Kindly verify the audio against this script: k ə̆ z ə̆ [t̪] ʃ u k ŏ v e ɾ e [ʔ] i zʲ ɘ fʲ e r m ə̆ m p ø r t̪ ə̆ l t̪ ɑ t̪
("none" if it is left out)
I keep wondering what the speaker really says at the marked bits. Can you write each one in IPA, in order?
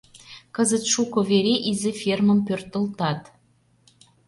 t̪, ʔ

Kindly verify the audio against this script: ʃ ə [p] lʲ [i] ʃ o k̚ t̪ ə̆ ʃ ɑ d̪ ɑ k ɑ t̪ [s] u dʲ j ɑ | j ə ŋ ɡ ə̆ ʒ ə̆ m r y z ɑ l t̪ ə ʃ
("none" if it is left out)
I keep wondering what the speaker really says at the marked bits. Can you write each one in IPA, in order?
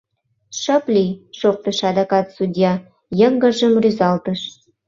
p, i, s

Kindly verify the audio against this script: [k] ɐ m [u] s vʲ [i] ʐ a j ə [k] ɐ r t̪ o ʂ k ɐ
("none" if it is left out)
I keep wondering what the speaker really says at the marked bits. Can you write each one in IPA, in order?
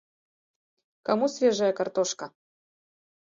k, u, e, k

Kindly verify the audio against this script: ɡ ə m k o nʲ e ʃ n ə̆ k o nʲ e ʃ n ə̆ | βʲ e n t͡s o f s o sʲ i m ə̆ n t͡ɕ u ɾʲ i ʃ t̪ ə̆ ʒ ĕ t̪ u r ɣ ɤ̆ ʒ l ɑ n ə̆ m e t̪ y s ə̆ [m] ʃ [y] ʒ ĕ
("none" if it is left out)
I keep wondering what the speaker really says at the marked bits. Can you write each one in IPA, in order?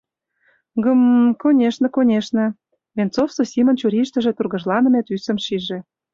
m, i

